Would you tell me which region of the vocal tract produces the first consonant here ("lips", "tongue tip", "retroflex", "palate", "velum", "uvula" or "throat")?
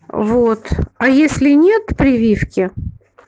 lips